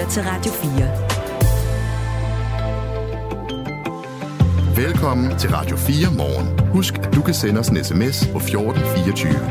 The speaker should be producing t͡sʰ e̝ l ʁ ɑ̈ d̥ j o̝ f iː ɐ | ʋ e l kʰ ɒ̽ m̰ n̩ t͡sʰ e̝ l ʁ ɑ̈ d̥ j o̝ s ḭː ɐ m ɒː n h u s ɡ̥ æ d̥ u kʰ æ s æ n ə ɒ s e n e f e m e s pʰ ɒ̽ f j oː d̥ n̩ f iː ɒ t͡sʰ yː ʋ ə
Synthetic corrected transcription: t͡sʰ e̝ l ʁ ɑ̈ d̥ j o̝ f iː ɐ | ʋ e l kʰ ɒ̽ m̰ n̩ t͡sʰ e̝ l ʁ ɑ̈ d̥ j o̝ f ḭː ɐ m ɒː n h u s ɡ̥ æ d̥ u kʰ æ s e n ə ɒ s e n e s e m e s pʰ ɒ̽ f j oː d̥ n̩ f iː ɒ t͡sʰ yː ʋ ə